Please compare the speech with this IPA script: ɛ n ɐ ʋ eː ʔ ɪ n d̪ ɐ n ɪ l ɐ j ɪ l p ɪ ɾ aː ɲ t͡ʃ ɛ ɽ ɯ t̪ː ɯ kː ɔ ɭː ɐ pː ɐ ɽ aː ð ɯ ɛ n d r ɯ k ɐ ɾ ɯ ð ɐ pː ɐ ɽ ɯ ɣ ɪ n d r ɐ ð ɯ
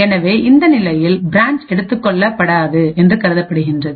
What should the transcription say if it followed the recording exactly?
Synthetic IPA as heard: ɛ n ɐ ʋ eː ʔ ɪ n d̪ ɐ n ɪ l ɐ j ɪ l b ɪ ɾ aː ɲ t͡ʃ ɛ ɽ ɯ t̪ː ɯ kː ɔ ɭː ɐ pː ɐ ɽ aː ð ɯ ɛ n d r ɯ k ɐ ɾ ɯ ð ɐ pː ɐ ɽ ɯ ɣ ɪ n d r ɐ ð ɯ